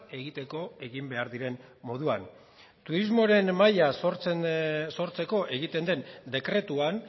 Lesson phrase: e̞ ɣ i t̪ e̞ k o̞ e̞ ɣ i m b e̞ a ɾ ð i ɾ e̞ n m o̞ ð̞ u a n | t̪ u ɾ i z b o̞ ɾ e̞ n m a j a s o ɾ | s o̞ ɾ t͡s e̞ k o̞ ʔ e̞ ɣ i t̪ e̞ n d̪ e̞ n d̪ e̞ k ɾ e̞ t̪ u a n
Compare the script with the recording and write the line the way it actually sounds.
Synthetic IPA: e̞ ɣ i t̪ e̞ k o̞ e̞ ɣ i m b e̞ a ɾ ð i ɾ e̞ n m o̞ ð̞ u a n | t̪ u ɾ i z m o̞ ɾ e̞ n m a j a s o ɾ | s o̞ ɾ t͡s e̞ k o̞ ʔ e̞ ɣ i t̪ e̞ n d̪ e̞ n d̪ e̞ k ɾ e̞ t̪ u a n